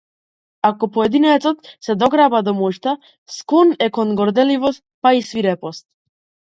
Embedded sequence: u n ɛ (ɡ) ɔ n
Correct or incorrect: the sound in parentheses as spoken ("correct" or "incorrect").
incorrect